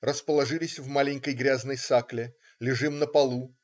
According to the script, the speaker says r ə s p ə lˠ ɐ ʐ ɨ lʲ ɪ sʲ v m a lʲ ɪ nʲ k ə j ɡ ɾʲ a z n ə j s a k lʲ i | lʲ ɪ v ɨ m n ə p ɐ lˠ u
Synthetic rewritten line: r ə s p ə lˠ ɐ ʐ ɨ lʲ ɪ sʲ v m a lʲ ɪ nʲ k ə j ɡ ɾʲ a z n ə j s a k lʲ ɪ | lʲ ɪ ʐ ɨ m n ə p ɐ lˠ u

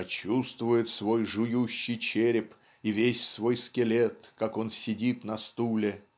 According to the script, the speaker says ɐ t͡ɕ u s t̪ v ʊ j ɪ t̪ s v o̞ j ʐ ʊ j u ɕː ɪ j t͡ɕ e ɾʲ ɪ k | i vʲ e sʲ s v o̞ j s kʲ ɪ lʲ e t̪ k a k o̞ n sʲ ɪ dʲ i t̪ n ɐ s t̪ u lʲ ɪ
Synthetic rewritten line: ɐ t͡ɕ u s t̪ v ʊ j ɪ t̪ s v o̞ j ʐ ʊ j u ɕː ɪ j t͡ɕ e ɾʲ ɪ p | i vʲ e sʲ s v o̞ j s kʲ ɪ lʲ e t̪ k a k o̞ n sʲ ɪ dʲ i t̪ n ɐ s t̪ u lʲ ɪ

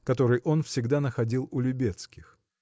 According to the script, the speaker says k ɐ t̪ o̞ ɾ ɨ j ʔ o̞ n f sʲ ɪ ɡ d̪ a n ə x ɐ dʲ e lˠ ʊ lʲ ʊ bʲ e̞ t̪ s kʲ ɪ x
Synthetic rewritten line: k ɐ t̪ o̞ ɾ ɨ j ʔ o̞ n f sʲ ɪ ɡ d̪ a n ə x ɐ dʲ i lˠ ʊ lʲ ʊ bʲ e̞ t̪ s kʲ ɪ x

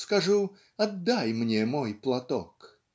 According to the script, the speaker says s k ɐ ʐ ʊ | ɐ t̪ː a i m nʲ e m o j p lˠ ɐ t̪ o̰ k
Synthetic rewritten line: s k ɐ ʐ u | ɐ d̪ː a j m nʲ e m o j p lˠ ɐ t̪ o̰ k

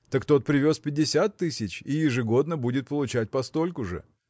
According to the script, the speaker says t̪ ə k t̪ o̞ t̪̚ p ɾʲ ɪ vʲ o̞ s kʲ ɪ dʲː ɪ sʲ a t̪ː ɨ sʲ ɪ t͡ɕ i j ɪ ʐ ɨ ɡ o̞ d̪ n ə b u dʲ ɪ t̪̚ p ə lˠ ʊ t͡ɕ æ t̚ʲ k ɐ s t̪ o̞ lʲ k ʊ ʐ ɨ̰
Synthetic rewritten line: t̪ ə k t̪ o̞ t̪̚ p ɾʲ ɪ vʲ o̞ s pʲ ɪ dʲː ɪ sʲ a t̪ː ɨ sʲ ɪ t͡ɕ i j ɪ ʐ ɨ ɡ o̞ d̪ n ə b u dʲ ɪ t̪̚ p ə lˠ ʊ t͡ɕ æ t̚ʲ p ɐ s t̪ o̞ lʲ k ʊ ʐ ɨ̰

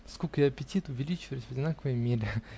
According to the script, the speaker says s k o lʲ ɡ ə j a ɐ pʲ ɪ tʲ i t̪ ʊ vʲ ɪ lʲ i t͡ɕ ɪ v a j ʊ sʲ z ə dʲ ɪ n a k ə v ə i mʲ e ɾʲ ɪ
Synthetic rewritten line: s k o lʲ k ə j a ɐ pʲ ɪ tʲ i t̪ ʊ vʲ ɪ lʲ i t͡ɕ ɪ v ə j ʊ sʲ v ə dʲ ɪ n a k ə v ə j mʲ e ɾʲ ɪ

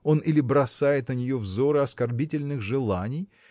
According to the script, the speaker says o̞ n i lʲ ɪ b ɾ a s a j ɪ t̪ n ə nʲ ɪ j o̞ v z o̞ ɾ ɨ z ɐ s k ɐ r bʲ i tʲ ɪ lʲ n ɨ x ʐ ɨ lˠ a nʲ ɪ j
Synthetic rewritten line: o̞ n i lʲ ɪ b ɾ ɐ s a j ɪ t̪ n ə nʲ ɪ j o̞ v z o̞ ɾ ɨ ɐ s k ɐ r bʲ i tʲ ɪ lʲ n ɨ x ʐ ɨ lˠ a nʲ ɪ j

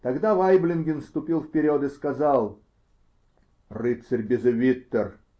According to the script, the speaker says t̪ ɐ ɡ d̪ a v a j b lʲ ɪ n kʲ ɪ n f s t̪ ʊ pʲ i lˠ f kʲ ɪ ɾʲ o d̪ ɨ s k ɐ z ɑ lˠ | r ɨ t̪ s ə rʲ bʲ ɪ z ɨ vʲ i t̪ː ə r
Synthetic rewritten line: t̪ ɐ ɡ d̪ a v a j b lʲ ɪ n ɡʲ ɪ n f s t̪ ʊ pʲ i lˠ f pʲ ɪ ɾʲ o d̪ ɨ s k ɐ z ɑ lˠ | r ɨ t̪ s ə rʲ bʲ ɪ z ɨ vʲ i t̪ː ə r

